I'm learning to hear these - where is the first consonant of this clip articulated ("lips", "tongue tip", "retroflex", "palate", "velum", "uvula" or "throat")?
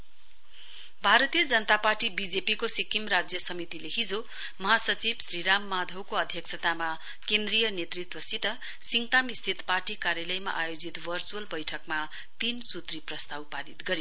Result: lips